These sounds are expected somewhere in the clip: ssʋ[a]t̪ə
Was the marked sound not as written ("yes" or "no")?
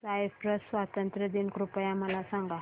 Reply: no